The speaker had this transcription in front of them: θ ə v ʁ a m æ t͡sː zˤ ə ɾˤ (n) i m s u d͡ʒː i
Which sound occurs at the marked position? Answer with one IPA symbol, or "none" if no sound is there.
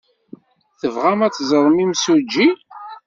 m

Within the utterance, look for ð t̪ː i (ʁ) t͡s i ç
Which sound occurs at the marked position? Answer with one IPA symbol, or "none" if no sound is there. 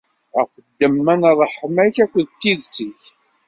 ð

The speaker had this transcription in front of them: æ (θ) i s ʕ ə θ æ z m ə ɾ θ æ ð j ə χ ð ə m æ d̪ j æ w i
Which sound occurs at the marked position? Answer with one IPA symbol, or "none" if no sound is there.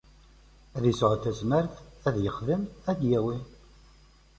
ð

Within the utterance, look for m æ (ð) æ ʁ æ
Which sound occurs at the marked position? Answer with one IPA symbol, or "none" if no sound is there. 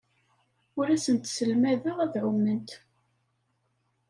ð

